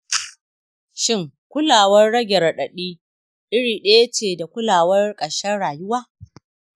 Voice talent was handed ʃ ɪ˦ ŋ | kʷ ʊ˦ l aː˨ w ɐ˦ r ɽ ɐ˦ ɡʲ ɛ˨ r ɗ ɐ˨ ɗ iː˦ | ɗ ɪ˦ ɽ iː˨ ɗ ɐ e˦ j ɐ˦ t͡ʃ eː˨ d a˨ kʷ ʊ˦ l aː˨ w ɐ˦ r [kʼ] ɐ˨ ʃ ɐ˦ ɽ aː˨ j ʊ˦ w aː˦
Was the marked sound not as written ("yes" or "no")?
no